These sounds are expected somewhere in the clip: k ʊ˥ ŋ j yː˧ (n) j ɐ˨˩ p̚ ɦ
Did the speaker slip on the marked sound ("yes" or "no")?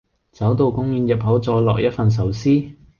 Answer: no